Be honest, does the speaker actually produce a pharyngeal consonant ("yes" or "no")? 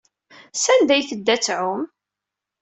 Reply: yes